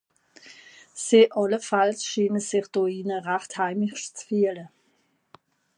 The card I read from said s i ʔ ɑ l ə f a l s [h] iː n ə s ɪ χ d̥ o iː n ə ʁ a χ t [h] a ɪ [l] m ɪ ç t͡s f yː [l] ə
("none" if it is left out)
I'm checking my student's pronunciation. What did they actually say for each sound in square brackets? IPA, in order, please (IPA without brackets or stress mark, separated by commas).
ʃ, h, none, l